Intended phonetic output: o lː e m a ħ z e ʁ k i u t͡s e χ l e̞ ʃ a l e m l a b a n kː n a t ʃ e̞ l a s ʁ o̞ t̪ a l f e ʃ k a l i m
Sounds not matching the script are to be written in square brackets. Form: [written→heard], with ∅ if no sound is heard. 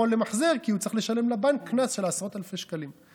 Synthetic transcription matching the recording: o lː e m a ħ z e ʁ k i u t͡s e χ l e̞ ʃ a l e m l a b a n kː n a [t→s] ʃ e̞ l a s ʁ o̞ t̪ a l f e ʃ k a l i m